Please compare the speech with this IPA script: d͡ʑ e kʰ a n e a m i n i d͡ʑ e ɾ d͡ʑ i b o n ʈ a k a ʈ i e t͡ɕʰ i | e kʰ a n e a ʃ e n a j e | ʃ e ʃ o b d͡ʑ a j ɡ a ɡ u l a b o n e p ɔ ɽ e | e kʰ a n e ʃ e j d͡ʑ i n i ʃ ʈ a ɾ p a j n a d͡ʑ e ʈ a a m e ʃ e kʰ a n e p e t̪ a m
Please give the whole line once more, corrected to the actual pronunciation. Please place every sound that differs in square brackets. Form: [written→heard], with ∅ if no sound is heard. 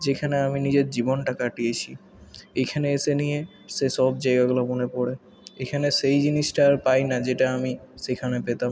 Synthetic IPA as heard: d͡ʑ e kʰ a n e a m i n i d͡ʑ e ɾ d͡ʑ i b o n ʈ a k a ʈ i e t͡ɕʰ i | e kʰ a n e [a→e] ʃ e n [a→i] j e | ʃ e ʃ [o→ɔ] b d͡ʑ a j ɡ a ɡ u l a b o n e p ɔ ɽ e | e kʰ a n e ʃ e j d͡ʑ i n i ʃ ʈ a ɾ p a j n a d͡ʑ e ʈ a a m [e→i] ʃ e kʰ a n e p e t̪ a m